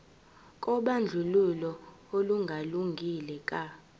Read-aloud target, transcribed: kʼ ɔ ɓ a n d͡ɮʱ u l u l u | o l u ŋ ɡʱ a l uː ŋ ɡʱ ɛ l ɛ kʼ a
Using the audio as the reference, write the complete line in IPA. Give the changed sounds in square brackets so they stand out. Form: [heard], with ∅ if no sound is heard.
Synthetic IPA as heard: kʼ ɔ ɓ a n d͡ɮʱ u l u l [ɔ] | o l u ŋ ɡʱ a l [u] ŋ ɡʱ [i] l ɛ kʼ a